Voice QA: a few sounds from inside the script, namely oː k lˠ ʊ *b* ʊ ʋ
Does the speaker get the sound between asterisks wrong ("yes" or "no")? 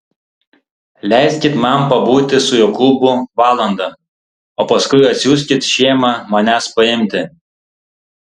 no